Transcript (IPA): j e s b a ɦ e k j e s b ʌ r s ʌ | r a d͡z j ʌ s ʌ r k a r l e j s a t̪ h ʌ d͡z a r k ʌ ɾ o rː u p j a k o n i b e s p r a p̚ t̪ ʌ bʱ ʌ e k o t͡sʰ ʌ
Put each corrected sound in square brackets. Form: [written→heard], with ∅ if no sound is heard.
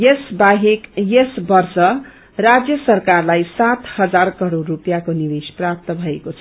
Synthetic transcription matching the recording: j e s b a ɦ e k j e s b ʌ r s ʌ | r a d͡z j ʌ s ʌ r k a r l [e→a] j s a t̪ h ʌ d͡z a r k ʌ ɾ o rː u p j a k o n i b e s p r a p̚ t̪ ʌ bʱ ʌ e k o t͡sʰ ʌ

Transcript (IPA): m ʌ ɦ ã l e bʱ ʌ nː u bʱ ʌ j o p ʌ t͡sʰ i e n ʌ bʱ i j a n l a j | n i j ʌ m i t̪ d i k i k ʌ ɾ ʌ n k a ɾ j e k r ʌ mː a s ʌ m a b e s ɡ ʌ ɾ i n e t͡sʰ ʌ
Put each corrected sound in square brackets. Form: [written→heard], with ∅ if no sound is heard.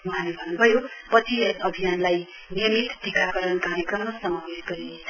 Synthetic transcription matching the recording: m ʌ ɦ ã l e bʱ ʌ nː u bʱ ʌ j o p ʌ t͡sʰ i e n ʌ bʱ i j a n l a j | n i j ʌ m i t̪ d i k [i→a] k ʌ ɾ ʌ n k a ɾ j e k r ʌ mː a s ʌ m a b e s ɡ ʌ ɾ i n e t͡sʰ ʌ

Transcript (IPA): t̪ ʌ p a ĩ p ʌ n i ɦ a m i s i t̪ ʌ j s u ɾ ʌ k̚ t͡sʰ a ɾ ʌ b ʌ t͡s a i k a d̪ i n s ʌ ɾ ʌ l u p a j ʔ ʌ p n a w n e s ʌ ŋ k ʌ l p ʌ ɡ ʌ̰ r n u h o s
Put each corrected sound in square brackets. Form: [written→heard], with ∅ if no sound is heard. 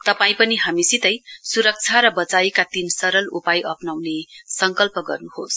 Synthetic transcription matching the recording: t̪ ʌ p a ĩ p ʌ n i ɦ a m i s i t̪ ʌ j s u ɾ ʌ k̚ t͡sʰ a ɾ ʌ b ʌ t͡s a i k a [d̪→t̪] i n s ʌ ɾ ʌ l u p a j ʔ ʌ p n a w n e s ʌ ŋ k ʌ l p ʌ ɡ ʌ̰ r n u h o s

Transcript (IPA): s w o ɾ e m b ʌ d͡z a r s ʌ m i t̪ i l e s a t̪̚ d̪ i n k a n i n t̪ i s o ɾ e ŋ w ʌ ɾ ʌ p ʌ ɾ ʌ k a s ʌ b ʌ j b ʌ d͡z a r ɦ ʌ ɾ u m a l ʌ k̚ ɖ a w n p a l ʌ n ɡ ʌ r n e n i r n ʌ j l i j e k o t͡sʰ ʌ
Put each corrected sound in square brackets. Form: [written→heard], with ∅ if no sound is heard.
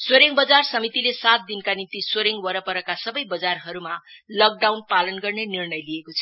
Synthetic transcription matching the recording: s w o ɾ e [m→ŋ] b ʌ d͡z a r s ʌ m i t̪ i l e s a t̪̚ d̪ i n k a n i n t̪ i s o ɾ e ŋ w ʌ ɾ ʌ p ʌ ɾ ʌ k a s ʌ b ʌ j b ʌ d͡z a r ɦ ʌ ɾ u m a l ʌ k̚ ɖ a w n p a l ʌ n ɡ ʌ r n e n i r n ʌ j l i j e k o t͡sʰ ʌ

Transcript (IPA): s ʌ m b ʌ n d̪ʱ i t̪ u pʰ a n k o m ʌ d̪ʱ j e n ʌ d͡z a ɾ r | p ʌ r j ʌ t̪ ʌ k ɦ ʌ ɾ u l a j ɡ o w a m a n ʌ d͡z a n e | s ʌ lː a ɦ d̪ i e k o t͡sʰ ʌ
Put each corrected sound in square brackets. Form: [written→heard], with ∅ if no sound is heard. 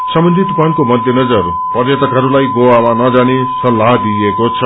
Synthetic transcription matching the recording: s ʌ m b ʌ n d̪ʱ i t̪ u [pʰ→p] a n k o m ʌ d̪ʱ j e n ʌ d͡z [a→ʌ] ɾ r | p ʌ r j ʌ t̪ ʌ k ɦ ʌ ɾ u l a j ɡ o w a m a n ʌ d͡z a n e | s ʌ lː a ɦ d̪ i e k o t͡sʰ ʌ

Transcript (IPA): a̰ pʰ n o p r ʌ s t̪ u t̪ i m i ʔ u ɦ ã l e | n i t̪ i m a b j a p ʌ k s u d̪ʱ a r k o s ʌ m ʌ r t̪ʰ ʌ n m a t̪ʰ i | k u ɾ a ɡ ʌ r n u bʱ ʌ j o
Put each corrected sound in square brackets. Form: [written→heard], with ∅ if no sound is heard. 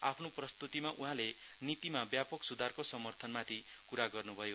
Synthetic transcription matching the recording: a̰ pʰ n o p r ʌ s t̪ u t̪ i m [i→a] ʔ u ɦ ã l e | n i t̪ i m a b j a p ʌ k s u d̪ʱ a r k o s ʌ m ʌ r t̪ʰ ʌ n m a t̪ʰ i | k u ɾ a ɡ ʌ r n u bʱ ʌ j o

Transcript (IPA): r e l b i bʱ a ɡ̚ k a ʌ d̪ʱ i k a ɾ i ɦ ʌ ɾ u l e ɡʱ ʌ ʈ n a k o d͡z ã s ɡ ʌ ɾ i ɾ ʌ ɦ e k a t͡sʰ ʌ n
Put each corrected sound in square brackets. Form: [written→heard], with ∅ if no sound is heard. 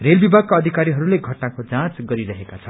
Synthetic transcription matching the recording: r e l b i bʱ a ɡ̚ k a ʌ d̪ʱ i k a ɾ i ɦ ʌ ɾ u l e ɡʱ ʌ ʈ n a k o d͡z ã [s→t͡s] ɡ ʌ ɾ i ɾ ʌ ɦ e k a t͡sʰ ʌ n

